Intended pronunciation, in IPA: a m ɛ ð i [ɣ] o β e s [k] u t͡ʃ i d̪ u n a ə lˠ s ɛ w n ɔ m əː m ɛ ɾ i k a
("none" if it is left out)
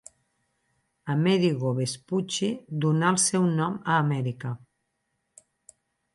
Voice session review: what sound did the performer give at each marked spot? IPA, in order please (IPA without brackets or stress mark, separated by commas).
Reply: ɣ, p